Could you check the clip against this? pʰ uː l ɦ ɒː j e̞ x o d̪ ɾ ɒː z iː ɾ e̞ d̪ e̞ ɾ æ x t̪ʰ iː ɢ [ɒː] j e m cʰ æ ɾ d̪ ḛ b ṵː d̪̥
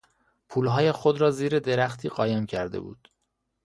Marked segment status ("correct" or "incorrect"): correct